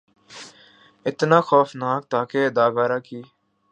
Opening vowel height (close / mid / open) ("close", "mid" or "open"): close